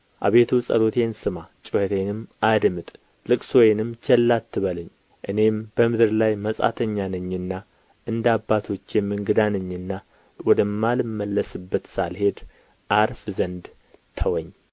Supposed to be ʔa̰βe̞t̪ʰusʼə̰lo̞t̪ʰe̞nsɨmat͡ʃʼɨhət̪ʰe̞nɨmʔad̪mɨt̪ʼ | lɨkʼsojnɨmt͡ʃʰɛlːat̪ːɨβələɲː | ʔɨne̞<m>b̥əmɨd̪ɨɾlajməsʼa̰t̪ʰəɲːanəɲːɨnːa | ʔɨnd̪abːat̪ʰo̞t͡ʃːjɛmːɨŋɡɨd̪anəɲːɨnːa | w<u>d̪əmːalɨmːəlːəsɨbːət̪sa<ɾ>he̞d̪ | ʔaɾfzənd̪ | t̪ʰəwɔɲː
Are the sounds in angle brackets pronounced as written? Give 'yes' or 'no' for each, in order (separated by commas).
yes, no, no